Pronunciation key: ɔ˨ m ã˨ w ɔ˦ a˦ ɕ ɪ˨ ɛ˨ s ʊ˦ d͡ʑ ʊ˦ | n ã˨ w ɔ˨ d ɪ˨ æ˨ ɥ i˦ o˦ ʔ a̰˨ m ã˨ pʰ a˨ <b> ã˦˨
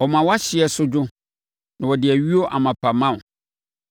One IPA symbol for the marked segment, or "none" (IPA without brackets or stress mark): m